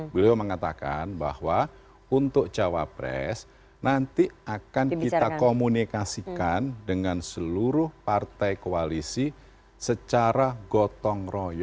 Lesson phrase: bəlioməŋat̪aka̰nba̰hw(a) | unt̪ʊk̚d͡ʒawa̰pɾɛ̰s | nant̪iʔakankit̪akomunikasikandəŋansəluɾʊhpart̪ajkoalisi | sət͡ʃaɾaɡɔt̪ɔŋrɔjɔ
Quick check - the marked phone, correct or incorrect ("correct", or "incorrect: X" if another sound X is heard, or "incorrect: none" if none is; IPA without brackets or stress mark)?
correct